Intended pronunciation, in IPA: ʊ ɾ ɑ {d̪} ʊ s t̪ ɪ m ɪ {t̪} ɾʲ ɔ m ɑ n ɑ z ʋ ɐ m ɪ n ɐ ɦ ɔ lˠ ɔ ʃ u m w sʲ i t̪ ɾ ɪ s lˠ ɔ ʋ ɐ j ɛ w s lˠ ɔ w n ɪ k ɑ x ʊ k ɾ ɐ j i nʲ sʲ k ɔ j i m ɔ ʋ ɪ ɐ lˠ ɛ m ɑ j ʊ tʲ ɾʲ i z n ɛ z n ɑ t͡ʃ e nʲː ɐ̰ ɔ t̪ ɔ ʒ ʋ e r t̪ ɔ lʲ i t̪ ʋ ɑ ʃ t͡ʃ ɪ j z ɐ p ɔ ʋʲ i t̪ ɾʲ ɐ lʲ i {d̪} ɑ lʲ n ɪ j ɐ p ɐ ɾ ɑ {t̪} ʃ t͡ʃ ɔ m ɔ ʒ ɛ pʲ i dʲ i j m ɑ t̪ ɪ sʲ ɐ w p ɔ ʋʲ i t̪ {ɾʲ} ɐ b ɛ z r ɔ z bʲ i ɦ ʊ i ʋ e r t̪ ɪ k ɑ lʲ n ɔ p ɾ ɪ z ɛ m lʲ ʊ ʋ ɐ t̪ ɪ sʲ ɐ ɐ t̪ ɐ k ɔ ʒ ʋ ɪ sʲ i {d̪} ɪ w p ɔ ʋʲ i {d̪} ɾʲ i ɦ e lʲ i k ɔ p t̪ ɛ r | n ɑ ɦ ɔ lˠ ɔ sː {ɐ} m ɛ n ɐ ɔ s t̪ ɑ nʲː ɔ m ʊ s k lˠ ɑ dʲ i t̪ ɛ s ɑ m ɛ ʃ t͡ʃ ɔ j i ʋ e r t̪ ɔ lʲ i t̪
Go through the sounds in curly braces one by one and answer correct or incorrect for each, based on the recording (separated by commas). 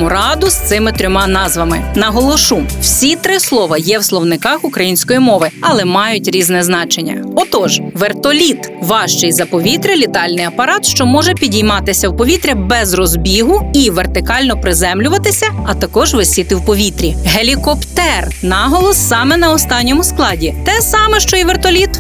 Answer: correct, correct, incorrect, correct, correct, incorrect, incorrect, incorrect